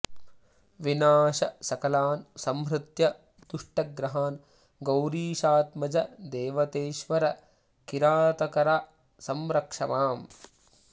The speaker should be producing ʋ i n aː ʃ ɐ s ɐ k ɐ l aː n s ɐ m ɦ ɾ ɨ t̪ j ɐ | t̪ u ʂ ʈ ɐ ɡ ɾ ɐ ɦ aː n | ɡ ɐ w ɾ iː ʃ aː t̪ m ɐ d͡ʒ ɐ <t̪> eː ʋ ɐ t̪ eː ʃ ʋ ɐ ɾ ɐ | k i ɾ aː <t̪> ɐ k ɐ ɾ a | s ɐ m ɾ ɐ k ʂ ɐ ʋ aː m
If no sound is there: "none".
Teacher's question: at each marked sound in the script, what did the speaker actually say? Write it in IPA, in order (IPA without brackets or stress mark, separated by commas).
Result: d̪, t̪